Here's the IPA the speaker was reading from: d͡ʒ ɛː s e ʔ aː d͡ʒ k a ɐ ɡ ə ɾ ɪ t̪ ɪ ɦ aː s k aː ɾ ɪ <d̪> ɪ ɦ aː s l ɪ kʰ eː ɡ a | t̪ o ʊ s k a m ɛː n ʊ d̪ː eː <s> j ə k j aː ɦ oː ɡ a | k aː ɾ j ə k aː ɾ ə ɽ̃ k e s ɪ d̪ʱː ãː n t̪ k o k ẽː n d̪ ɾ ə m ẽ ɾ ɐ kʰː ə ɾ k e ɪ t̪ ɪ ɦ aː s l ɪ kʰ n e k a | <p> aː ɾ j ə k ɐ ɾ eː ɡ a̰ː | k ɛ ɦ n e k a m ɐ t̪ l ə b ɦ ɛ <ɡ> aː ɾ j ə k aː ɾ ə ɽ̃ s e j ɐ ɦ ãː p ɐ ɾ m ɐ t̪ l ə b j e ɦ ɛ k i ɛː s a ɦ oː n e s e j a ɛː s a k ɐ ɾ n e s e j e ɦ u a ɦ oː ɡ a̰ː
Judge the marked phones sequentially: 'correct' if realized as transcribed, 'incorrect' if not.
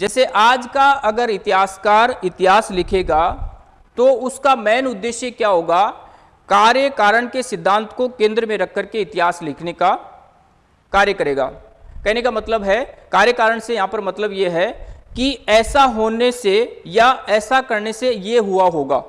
incorrect, incorrect, incorrect, incorrect

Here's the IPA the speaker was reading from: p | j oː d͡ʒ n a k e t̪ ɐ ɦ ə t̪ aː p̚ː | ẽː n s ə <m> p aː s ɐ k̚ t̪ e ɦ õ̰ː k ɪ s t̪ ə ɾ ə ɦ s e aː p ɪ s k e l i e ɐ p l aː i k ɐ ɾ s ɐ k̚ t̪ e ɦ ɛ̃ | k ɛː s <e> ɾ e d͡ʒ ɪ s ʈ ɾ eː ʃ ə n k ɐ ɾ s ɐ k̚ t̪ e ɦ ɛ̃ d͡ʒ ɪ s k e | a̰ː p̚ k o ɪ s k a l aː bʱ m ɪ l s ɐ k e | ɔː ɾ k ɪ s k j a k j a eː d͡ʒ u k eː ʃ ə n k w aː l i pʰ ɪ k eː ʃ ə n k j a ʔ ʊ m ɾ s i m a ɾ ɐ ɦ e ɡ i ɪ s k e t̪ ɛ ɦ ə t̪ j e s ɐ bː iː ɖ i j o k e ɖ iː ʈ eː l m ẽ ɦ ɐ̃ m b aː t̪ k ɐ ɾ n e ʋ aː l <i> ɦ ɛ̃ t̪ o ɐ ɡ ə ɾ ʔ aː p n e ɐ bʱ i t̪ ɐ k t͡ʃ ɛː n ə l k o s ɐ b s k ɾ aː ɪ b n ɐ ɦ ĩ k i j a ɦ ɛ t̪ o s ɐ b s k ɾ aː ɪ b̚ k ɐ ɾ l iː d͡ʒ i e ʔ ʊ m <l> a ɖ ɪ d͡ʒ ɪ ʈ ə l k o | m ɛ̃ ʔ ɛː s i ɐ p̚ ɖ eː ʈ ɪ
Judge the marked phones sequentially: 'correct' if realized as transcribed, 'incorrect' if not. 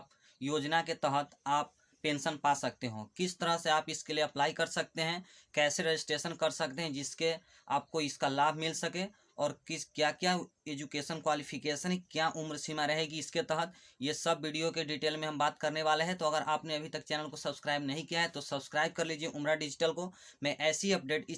incorrect, correct, incorrect, incorrect

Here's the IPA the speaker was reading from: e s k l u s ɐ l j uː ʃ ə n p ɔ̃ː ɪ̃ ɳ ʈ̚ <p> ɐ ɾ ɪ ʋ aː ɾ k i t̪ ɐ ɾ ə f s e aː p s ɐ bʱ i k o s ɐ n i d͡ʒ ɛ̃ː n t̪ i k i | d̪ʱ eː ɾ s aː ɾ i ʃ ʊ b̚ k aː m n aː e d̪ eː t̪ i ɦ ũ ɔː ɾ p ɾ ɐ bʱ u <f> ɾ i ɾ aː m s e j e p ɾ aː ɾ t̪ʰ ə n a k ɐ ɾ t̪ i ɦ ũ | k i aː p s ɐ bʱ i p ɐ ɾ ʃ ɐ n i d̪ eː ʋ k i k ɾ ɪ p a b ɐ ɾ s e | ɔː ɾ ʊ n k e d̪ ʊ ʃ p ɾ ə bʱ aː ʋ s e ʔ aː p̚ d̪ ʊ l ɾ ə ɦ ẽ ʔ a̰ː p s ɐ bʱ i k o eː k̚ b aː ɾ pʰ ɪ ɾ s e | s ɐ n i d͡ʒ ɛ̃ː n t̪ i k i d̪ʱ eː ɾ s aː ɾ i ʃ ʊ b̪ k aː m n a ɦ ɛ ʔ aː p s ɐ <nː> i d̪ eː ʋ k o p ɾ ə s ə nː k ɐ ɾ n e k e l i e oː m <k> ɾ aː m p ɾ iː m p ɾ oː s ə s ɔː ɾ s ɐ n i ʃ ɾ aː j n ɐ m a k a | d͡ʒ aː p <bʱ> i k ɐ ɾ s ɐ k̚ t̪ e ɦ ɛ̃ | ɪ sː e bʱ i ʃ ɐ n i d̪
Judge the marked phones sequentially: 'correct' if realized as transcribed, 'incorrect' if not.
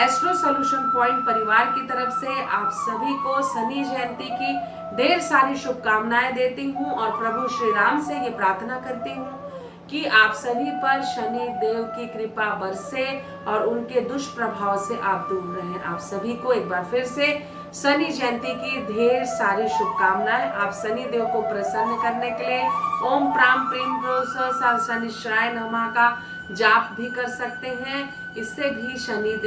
correct, incorrect, incorrect, incorrect, correct

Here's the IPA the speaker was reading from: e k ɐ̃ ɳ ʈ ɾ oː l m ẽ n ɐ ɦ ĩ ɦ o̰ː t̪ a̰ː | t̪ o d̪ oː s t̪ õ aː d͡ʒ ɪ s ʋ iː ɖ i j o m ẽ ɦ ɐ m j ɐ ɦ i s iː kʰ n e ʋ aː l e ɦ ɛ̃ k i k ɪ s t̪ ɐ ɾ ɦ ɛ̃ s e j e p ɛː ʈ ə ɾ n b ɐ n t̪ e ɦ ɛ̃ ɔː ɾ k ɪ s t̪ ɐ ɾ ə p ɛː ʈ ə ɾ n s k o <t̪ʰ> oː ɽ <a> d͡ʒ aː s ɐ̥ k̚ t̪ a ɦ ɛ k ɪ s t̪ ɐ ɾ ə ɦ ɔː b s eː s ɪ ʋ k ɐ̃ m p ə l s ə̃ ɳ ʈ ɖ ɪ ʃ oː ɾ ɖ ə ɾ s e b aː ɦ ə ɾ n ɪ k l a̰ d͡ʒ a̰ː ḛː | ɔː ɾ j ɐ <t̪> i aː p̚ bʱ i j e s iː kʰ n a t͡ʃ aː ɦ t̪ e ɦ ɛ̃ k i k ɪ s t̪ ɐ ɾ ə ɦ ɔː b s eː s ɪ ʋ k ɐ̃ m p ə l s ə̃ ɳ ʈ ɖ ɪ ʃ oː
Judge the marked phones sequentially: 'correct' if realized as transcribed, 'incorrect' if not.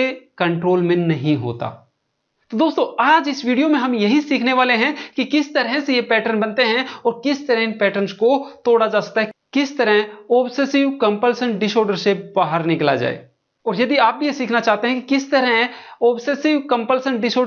incorrect, correct, incorrect

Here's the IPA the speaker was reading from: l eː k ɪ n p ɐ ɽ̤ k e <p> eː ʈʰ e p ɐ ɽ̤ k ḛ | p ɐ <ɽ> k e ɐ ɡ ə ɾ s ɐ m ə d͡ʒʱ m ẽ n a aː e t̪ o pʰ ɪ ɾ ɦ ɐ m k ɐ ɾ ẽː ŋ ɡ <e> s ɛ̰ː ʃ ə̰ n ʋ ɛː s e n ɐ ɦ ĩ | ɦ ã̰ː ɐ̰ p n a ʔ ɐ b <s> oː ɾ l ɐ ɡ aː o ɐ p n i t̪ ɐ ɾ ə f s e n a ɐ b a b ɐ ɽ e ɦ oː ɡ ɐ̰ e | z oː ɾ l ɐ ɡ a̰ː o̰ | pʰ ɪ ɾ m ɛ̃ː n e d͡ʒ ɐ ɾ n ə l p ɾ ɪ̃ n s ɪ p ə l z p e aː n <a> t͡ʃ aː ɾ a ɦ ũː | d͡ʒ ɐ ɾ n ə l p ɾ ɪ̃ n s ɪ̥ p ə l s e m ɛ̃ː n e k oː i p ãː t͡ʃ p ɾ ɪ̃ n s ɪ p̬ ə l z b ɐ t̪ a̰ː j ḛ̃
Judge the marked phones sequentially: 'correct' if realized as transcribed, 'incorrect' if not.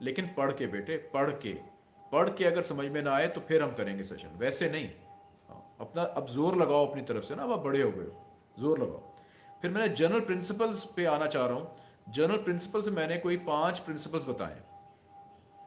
incorrect, correct, correct, incorrect, correct

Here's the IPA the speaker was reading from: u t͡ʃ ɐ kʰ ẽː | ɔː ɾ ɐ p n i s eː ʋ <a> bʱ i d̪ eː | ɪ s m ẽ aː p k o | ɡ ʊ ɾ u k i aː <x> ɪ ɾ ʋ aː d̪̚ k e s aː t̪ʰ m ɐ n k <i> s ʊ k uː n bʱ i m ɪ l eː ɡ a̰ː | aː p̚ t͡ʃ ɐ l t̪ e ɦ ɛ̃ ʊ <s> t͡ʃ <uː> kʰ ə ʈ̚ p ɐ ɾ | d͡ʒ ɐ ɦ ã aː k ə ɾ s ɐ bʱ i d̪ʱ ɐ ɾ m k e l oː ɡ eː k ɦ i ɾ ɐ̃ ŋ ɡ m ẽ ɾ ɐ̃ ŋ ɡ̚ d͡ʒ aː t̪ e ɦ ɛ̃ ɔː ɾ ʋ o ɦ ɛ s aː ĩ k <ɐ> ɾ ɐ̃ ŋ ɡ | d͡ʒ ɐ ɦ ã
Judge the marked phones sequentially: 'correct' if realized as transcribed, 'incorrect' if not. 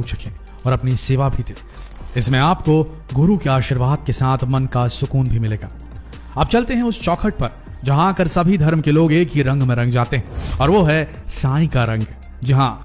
correct, incorrect, incorrect, correct, incorrect, incorrect

